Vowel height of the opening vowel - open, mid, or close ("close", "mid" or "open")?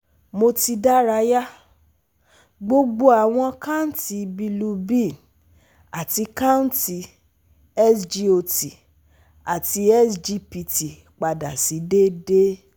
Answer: mid